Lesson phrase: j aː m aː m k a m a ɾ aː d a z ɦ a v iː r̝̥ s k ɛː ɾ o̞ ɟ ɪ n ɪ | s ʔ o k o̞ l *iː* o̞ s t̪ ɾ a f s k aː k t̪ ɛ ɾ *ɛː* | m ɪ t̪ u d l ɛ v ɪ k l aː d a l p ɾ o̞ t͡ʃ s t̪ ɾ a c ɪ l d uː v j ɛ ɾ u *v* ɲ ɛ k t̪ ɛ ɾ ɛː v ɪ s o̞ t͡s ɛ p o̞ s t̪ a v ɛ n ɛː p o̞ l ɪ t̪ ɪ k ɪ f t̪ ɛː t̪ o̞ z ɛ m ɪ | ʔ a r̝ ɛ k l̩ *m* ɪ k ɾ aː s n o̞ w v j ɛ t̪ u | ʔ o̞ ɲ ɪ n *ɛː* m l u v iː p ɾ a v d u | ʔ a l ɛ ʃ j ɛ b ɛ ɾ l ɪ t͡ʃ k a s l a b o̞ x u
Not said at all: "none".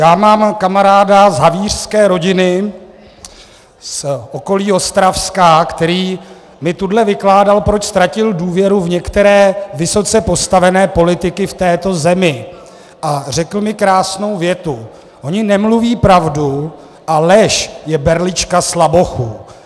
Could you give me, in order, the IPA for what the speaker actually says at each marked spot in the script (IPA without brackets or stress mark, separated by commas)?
iː, iː, v, m, ɛ